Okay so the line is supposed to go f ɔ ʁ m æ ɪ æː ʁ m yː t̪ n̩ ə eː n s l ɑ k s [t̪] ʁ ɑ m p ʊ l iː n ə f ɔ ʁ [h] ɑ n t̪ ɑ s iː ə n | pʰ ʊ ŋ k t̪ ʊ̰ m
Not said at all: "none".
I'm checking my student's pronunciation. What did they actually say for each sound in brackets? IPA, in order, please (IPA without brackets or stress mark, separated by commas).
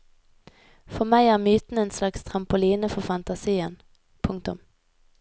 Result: t̪ʰ, f